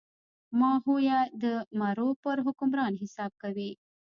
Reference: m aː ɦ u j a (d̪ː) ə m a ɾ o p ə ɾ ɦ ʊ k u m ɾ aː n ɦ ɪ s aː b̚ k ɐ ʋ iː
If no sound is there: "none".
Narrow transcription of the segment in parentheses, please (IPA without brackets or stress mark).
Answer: d̪